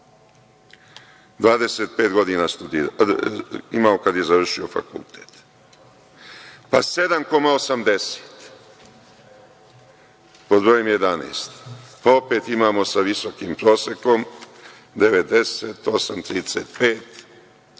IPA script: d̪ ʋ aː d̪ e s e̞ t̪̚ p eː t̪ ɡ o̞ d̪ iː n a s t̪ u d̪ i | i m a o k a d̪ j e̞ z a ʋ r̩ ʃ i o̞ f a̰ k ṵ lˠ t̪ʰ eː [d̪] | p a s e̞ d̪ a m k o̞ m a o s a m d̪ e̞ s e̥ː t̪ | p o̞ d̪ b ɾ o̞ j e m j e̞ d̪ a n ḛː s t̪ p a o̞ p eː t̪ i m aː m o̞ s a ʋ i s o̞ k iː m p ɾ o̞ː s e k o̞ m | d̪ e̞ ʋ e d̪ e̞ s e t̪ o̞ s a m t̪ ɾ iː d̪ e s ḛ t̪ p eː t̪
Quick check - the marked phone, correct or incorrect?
incorrect